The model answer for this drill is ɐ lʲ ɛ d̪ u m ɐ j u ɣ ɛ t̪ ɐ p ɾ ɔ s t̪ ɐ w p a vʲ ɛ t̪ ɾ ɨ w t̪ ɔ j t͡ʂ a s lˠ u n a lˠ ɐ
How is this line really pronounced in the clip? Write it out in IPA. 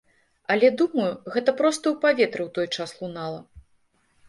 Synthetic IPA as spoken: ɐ lʲ ɛ d̪ u m ɐ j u ɣ ɛ t̪ ɐ p ɾ ɔ s t̪ ɐ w p a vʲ ɛ t̪ ɾ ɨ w t̪ ɔ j t͡ʂ a s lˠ u n a lˠ ɐ